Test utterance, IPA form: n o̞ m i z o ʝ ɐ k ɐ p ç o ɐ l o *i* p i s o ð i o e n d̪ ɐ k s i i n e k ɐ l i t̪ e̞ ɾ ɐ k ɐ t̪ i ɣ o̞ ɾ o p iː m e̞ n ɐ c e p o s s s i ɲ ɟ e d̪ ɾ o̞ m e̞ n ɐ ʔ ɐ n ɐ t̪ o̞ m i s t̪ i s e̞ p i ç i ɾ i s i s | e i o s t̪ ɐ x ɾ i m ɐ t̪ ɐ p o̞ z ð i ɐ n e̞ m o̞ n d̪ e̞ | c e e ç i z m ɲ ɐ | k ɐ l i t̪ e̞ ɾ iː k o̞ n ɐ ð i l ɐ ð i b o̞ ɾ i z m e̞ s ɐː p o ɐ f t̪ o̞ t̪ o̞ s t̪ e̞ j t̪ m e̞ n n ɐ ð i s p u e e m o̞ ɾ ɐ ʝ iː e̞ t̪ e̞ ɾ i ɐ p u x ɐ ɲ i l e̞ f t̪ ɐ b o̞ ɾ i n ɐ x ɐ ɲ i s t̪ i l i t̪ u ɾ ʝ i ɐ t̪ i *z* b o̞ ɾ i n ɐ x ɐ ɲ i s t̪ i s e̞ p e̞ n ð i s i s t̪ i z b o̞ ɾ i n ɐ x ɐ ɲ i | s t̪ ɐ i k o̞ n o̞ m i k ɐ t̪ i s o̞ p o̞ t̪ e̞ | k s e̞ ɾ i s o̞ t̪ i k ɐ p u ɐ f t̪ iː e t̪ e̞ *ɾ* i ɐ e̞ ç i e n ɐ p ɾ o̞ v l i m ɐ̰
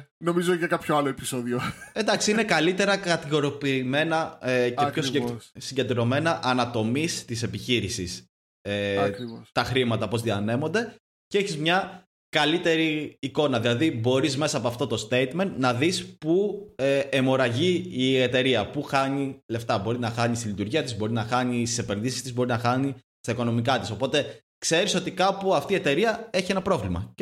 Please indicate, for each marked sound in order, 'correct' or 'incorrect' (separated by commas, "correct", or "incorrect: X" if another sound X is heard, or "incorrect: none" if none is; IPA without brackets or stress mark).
incorrect: e, correct, correct